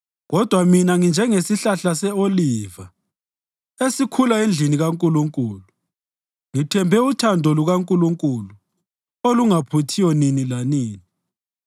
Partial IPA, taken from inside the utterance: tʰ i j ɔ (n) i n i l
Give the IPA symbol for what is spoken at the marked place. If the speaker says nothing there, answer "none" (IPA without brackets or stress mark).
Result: n